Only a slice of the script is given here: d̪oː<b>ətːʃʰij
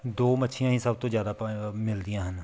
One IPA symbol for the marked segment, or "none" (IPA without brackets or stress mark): m